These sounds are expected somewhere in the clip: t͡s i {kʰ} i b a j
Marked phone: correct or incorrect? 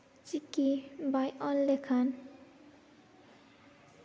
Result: incorrect